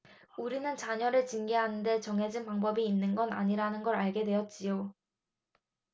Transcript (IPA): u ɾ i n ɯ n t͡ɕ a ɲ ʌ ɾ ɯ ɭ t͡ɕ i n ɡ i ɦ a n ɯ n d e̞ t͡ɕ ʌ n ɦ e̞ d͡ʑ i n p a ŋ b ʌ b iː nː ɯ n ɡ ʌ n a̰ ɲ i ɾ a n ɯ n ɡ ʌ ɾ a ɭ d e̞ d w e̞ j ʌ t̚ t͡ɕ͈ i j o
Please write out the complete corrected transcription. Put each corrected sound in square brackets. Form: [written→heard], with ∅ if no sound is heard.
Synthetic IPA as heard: u ɾ i n ɯ n t͡ɕ a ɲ ʌ ɾ ɯ ɭ t͡ɕ i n ɡ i ɦ a n ɯ n d e̞ t͡ɕ ʌ [n→ŋ] ɦ e̞ d͡ʑ i n p a ŋ b ʌ b iː nː ɯ n ɡ ʌ n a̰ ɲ i ɾ a n ɯ n ɡ ʌ ɾ a ɭ [d→ɡ] e̞ d w e̞ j ʌ t̚ t͡ɕ͈ i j o